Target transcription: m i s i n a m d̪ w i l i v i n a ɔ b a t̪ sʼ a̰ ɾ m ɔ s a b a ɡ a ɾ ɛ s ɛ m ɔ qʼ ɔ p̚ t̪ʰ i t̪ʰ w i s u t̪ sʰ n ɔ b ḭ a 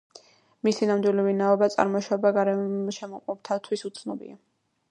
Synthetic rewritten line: m i s i n a m d̪ w i l i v i n a ɔ b a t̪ sʼ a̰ ɾ m ɔ ʃ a b a ɡ a ɾ ɛ ʃ ɛ m ɔ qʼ ɔ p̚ t̪ʰ a t̪ʰ w i s u t̪ sʰ n ɔ b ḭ a